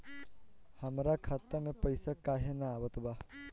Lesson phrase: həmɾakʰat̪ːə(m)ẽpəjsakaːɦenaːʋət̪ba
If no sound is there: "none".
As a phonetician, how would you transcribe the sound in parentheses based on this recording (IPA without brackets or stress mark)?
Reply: m